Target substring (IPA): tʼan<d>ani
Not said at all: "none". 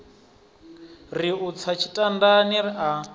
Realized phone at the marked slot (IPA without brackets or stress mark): d